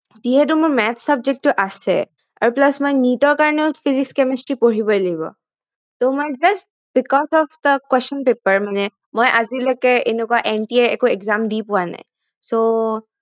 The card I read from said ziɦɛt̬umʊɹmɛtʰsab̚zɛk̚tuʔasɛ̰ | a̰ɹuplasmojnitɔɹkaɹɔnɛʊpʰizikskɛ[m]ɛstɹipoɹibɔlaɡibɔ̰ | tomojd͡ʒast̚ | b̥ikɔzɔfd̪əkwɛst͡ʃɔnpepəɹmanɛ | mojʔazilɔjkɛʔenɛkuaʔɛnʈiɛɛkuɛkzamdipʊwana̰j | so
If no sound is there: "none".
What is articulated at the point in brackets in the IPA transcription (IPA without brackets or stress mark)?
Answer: m